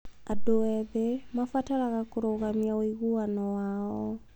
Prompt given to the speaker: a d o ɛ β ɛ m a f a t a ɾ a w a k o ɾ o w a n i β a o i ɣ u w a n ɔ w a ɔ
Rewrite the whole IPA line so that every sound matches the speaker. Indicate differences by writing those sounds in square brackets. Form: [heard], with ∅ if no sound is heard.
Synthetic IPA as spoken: a d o ɛ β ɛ m a f a t a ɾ a [ɣ] a k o ɾ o [ɣ] a [m] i [∅] a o i ɣ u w a n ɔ w a ɔ